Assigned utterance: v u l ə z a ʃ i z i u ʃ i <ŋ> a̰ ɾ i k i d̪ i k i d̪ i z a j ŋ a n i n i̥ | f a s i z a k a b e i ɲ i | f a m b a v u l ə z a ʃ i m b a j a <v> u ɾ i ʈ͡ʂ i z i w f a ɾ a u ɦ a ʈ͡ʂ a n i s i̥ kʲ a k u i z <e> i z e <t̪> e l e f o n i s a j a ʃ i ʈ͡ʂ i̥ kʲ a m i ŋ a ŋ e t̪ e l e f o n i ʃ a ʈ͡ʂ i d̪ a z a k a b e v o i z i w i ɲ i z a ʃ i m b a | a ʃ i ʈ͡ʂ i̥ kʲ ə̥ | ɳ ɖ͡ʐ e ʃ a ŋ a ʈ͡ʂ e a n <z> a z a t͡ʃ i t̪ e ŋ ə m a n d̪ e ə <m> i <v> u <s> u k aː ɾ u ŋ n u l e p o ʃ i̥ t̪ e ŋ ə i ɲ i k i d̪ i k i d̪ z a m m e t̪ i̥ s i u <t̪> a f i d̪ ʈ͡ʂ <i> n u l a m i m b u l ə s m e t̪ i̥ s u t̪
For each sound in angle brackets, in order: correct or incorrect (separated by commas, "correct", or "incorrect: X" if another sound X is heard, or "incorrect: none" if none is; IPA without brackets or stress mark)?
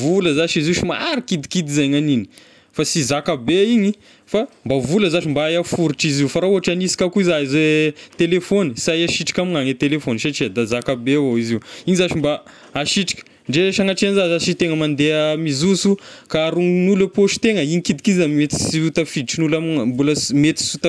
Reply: incorrect: m, incorrect: f, incorrect: a, correct, correct, correct, incorrect: z, correct, correct, correct